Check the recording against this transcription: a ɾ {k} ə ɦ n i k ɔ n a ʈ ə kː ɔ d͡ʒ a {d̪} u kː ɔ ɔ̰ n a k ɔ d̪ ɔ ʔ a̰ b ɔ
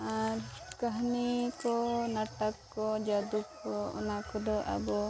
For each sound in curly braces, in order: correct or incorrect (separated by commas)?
correct, correct